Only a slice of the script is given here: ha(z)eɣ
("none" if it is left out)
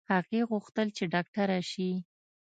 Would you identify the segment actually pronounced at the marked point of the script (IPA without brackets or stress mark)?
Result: ɣ